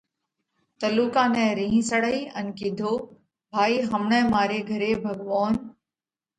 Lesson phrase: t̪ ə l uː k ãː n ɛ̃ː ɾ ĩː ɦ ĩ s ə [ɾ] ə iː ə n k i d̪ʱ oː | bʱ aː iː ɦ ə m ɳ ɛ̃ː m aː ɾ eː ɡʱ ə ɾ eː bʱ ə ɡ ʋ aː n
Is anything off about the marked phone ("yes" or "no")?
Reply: yes